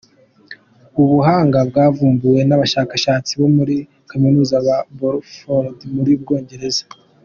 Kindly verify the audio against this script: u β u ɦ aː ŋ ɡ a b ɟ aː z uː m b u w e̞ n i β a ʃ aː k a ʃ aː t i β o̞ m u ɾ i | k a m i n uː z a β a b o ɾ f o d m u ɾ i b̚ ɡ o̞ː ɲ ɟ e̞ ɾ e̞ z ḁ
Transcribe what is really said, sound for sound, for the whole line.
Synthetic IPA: u β u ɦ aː ŋ ɡ a b ɡ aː v uː m b u w e̞ n a β a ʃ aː k a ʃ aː t͡s i β o̞ m u ɾ i | k a m i n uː z a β a b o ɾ f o d m u ɾ i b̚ ɡ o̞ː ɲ ɟ e̞ ɾ e̞ z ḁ